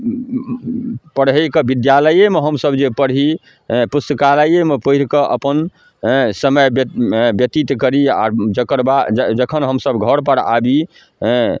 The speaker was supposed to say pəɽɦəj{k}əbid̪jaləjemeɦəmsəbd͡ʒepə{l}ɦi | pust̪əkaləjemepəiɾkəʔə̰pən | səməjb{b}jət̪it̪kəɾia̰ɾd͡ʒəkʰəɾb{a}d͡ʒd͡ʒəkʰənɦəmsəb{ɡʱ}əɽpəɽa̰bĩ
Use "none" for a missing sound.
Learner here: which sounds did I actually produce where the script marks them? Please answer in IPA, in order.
k, ɽ, b, a, ɡʱ

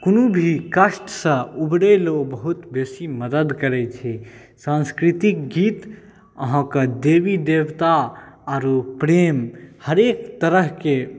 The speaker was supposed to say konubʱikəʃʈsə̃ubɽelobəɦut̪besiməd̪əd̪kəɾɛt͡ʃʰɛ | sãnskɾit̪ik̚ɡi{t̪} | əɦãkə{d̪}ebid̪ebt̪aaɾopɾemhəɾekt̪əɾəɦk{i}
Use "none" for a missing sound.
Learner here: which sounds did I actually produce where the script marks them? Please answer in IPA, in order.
t̪, d̪, e

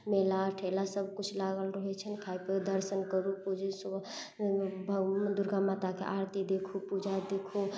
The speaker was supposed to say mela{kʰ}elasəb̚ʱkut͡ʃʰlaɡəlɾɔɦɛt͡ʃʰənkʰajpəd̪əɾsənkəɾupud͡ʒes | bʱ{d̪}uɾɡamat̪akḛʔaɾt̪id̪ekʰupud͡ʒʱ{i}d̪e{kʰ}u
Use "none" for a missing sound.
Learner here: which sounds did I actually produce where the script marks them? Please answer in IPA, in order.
ʈʰ, d̪, a, kʰ

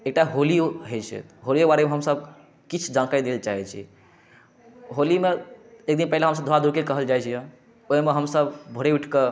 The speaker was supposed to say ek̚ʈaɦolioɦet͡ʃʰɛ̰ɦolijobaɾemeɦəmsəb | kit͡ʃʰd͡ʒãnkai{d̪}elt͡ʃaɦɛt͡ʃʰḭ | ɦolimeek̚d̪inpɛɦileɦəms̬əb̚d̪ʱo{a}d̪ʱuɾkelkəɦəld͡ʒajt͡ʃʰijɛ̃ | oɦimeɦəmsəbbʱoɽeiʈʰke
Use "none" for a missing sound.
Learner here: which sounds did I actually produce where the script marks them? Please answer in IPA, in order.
d̪, a

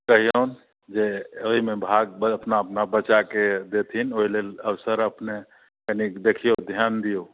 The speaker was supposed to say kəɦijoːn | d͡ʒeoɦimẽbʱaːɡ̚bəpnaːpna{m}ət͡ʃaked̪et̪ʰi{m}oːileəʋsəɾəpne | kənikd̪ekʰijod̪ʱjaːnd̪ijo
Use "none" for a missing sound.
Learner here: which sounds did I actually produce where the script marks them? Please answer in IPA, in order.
b, n

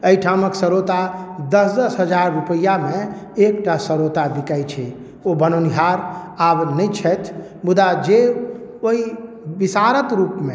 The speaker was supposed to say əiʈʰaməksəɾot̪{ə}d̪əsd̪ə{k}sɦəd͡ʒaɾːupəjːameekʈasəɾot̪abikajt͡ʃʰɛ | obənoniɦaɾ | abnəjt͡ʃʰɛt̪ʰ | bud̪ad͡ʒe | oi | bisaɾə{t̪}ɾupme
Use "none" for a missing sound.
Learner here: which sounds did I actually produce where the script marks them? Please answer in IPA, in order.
a, none, t̪

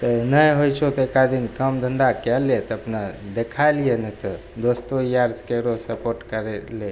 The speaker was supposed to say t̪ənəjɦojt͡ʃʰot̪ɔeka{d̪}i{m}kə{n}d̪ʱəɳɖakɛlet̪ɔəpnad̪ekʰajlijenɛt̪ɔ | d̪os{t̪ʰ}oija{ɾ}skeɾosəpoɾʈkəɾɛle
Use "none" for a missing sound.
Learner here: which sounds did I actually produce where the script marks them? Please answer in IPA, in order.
d̪, n, m, t̪, ɾ

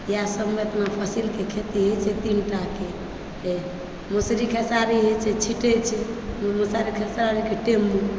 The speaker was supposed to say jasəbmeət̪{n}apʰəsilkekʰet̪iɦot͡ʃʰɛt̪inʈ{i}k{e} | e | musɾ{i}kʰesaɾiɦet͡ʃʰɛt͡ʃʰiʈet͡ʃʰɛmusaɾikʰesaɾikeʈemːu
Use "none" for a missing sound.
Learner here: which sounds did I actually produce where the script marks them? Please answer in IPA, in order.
n, a, e, i

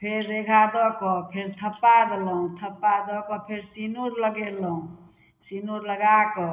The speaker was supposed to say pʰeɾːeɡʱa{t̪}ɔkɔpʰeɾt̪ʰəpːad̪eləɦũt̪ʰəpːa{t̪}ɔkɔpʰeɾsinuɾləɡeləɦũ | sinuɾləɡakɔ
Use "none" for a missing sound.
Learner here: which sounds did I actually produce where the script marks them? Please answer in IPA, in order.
d̪, d̪

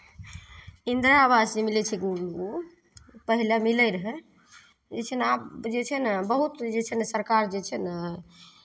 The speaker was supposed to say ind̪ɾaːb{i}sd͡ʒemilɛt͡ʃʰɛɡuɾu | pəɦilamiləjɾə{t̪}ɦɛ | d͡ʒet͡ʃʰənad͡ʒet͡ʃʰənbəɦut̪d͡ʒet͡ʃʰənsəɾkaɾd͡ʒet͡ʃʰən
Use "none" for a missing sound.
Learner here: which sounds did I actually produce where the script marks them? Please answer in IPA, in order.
a, none

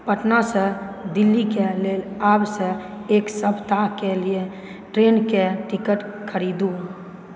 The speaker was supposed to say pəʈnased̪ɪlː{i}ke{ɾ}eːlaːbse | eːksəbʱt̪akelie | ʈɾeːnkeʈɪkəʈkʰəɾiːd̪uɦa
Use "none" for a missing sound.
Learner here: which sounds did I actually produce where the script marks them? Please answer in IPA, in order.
i, l

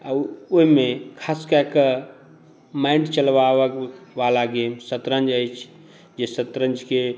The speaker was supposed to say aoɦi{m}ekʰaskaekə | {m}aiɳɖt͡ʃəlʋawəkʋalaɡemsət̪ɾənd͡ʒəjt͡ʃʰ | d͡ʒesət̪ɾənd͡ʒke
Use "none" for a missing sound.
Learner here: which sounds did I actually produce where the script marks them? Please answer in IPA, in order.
m, m

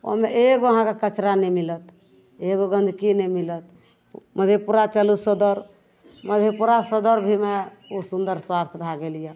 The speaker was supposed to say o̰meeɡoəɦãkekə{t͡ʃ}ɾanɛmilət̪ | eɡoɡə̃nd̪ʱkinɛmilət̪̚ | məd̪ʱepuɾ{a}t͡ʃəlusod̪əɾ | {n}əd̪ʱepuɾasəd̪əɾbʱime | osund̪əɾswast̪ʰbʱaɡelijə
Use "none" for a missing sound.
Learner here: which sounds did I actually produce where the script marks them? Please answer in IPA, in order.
t͡ʃ, a, m

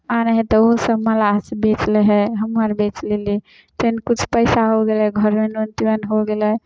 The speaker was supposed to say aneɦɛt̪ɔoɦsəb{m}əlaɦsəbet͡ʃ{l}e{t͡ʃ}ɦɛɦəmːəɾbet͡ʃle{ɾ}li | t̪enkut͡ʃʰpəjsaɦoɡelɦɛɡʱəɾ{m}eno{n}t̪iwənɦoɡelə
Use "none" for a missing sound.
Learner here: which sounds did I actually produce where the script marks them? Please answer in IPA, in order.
m, l, none, none, m, n

